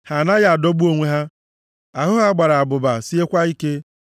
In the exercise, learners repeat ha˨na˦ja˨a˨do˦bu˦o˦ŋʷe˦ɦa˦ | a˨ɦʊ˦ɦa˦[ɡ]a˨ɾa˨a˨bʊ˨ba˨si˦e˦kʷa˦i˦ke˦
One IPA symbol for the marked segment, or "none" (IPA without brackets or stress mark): ɡ͡b